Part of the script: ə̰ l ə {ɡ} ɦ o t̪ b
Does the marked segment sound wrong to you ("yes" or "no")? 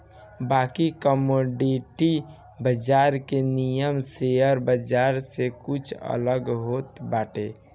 no